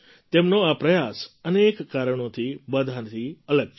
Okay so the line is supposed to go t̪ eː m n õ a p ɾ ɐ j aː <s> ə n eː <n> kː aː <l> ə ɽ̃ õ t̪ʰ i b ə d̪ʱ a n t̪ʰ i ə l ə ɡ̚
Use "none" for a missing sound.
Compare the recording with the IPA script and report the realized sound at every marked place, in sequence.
s, none, ɾ

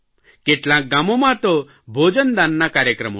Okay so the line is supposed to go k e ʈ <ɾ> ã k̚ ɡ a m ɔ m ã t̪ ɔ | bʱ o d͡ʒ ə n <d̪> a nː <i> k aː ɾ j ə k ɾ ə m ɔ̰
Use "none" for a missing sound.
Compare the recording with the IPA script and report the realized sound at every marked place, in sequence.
l, d̪, a

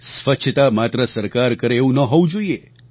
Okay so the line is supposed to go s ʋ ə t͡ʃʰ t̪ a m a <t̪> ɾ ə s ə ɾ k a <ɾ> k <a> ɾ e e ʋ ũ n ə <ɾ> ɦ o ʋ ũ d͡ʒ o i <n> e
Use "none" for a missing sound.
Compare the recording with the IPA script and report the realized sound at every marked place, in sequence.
t̪, ɾ, ə, none, none

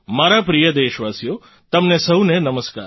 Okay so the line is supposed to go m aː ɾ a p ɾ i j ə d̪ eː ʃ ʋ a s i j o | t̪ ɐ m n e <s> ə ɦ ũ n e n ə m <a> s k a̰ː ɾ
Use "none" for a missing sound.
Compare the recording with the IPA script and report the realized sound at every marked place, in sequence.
s, ə

